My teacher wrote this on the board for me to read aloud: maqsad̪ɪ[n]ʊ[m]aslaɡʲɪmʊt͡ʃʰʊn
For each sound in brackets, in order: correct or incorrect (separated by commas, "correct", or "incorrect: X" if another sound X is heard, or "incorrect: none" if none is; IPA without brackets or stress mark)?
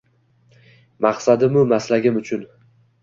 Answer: incorrect: m, correct